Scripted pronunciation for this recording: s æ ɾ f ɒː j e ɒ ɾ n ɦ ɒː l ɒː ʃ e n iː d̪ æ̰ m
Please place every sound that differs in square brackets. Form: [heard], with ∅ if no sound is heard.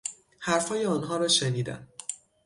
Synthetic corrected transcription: [h] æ ɾ f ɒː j e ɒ [∅] n ɦ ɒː [ɾ] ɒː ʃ e n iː d̪ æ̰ m

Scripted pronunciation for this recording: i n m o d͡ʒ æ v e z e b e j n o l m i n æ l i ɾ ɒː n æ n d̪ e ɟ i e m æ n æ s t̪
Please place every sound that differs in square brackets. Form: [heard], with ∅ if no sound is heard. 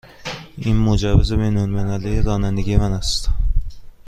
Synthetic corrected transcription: i n m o d͡ʒ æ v e z e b e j n o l m [e] n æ l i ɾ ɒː n æ n d̪ e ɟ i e m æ n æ s t̪

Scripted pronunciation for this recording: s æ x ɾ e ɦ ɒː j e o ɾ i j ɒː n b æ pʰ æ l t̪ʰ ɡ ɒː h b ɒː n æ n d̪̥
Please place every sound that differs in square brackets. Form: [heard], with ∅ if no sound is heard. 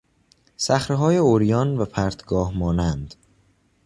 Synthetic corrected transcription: s æ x ɾ e ɦ ɒː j e o ɾ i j ɒː n [v] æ pʰ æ [ɾ] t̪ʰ ɡ ɒː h [m] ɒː n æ n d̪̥

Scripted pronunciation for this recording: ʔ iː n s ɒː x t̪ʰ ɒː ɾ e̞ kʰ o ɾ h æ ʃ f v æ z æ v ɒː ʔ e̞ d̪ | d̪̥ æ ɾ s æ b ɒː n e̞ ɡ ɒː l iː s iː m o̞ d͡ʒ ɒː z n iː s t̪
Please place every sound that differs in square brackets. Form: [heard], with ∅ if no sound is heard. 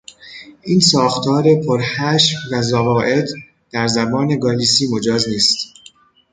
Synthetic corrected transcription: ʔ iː n s ɒː x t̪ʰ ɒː ɾ e̞ [pʰ] o ɾ h æ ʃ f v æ z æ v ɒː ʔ e̞ d̪ | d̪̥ æ ɾ [z] æ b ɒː n e̞ ɡ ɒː l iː s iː m o̞ d͡ʒ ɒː z n iː s t̪

